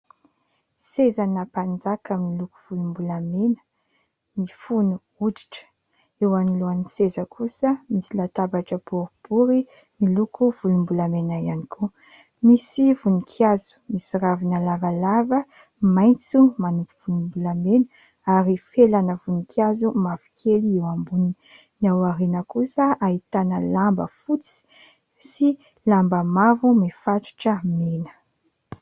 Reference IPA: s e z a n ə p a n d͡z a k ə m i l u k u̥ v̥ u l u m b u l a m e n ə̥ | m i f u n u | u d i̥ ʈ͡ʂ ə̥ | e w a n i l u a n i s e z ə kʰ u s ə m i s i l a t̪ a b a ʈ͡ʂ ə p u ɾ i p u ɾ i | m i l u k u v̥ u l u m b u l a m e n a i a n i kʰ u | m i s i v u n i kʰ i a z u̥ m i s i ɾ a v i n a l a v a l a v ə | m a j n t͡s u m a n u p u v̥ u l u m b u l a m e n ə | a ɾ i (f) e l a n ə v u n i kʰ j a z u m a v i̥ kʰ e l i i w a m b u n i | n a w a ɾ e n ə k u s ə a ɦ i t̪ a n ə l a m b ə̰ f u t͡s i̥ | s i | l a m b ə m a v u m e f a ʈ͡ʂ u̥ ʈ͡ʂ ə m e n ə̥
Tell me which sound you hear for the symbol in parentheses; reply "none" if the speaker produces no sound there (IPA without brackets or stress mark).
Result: f